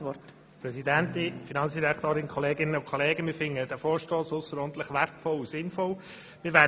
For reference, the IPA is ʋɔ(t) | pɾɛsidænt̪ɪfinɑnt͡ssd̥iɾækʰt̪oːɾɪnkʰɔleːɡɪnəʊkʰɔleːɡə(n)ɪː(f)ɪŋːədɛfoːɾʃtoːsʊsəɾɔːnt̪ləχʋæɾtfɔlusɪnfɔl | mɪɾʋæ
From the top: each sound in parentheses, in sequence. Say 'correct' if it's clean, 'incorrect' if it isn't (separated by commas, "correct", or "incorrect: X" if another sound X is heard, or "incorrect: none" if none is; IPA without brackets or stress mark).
correct, incorrect: m, correct